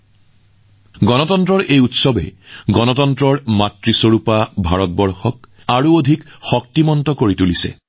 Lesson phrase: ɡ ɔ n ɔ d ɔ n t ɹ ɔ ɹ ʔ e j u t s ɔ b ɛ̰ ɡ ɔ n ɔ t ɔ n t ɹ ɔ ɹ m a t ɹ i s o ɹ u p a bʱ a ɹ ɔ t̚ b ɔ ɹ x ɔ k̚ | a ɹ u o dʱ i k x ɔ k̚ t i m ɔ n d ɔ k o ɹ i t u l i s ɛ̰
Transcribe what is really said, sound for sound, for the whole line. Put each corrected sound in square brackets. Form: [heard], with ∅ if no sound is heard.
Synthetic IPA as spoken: ɡ ɔ n ɔ [t] ɔ n t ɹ ɔ ɹ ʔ e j u t s ɔ b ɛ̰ ɡ ɔ n ɔ t ɔ n t ɹ ɔ ɹ m a t ɹ i s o ɹ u p a bʱ a ɹ ɔ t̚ b ɔ ɹ x ɔ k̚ | a ɹ u o dʱ i k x ɔ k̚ t i m ɔ n [t] ɔ k o ɹ i t u l i s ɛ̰